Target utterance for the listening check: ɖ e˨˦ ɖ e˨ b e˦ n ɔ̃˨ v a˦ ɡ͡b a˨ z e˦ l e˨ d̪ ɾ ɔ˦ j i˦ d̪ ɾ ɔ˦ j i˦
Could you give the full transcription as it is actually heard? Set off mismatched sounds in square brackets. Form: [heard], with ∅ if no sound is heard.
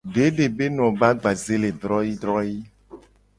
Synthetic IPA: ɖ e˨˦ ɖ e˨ b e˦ n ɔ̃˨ [b] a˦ ɡ͡b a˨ z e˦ l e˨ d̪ ɾ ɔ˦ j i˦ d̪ ɾ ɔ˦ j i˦